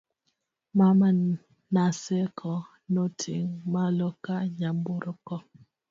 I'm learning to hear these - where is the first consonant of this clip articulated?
lips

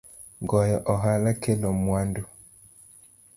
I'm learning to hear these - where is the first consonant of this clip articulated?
velum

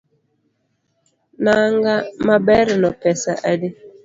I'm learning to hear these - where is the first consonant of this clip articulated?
tongue tip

